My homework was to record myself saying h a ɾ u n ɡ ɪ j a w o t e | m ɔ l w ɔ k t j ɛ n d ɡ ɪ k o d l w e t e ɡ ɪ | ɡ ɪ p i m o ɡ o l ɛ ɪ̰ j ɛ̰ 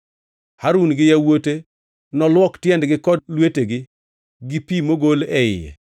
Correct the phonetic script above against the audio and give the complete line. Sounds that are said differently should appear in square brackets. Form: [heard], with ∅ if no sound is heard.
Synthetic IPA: h a ɾ u n ɡ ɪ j a w o t e | [n] ɔ l w ɔ k t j ɛ n d ɡ ɪ k [ɔ] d l w e t e ɡ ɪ | ɡ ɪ p i m o ɡ o l ɛ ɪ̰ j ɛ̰